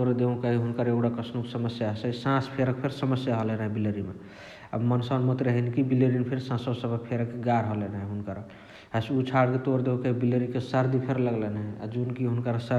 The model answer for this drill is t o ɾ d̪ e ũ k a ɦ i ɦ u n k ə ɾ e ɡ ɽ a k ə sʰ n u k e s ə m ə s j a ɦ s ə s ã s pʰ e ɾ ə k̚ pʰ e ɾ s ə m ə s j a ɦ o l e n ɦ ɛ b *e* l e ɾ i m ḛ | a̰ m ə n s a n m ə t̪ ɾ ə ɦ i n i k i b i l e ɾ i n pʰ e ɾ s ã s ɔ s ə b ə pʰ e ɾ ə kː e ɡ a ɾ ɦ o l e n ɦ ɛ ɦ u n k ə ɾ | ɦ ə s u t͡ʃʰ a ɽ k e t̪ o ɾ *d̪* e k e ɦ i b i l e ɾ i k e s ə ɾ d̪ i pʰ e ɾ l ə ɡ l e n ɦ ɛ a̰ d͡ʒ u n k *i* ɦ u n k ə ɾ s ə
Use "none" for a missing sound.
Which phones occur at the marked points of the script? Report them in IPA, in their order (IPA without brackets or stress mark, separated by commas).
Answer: i, d̪, i